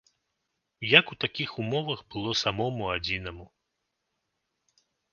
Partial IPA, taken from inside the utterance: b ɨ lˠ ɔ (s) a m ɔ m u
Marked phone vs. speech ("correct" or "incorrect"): correct